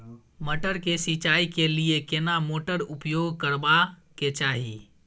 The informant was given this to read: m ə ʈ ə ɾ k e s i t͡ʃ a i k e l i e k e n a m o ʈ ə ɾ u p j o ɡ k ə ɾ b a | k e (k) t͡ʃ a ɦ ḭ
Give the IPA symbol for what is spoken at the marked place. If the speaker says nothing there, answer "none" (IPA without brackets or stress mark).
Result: none